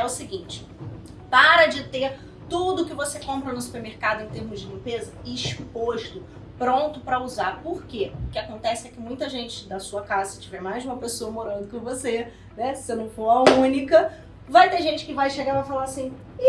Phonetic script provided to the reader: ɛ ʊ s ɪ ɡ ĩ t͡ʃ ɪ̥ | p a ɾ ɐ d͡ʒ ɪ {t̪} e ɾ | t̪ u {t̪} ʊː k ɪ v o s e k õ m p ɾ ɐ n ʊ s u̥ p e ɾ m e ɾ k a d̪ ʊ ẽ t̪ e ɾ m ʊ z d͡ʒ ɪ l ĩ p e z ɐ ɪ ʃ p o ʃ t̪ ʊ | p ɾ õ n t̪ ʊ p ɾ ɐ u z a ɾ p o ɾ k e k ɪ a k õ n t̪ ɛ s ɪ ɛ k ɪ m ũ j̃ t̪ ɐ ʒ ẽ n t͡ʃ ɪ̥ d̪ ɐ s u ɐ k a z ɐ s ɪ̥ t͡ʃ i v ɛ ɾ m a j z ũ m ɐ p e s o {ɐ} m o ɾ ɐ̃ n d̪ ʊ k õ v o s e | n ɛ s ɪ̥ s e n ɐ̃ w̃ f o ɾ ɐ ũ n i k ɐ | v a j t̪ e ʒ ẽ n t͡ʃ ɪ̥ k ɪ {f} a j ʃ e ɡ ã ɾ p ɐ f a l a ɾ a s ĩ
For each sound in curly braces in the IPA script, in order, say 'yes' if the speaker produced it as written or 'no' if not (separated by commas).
yes, no, yes, no